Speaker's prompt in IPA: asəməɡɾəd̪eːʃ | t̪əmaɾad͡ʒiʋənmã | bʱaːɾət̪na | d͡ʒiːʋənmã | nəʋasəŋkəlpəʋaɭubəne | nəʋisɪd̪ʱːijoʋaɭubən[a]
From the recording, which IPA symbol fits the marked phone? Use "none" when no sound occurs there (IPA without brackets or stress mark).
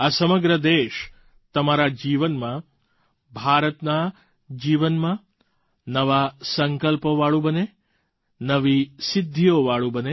e